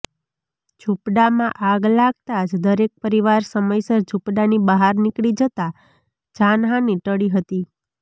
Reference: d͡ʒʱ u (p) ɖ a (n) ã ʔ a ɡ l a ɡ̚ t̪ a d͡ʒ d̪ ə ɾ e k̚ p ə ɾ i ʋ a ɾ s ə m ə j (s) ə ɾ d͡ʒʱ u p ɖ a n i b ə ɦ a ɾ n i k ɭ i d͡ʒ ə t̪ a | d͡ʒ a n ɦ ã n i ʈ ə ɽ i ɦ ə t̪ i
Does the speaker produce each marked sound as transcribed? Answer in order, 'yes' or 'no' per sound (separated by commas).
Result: yes, no, yes